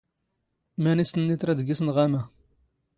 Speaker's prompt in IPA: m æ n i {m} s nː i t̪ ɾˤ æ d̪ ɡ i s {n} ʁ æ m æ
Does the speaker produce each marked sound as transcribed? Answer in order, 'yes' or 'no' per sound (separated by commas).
no, yes